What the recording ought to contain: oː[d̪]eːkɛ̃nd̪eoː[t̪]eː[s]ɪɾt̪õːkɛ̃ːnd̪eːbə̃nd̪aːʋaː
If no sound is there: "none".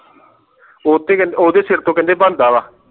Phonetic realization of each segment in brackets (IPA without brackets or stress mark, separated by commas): t̪, d̪, s